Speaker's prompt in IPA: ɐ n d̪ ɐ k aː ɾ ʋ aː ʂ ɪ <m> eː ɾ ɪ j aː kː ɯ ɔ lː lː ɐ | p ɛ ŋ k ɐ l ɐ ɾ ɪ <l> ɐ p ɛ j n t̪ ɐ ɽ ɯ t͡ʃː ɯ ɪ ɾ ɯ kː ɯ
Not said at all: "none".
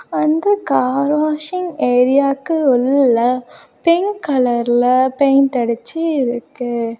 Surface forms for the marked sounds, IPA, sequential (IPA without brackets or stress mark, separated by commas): ŋ, l